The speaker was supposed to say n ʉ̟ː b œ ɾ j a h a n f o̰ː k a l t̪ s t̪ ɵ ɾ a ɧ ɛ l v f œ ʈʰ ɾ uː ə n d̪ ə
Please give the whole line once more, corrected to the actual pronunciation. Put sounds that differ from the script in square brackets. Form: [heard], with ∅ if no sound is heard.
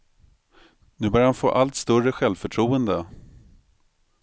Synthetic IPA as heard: n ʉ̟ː b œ ɾ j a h a n f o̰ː [ʔ] a l t̪ s t̪ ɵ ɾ [ə] ɧ ɛ l v f œ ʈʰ ɾ uː ə n d̪ ə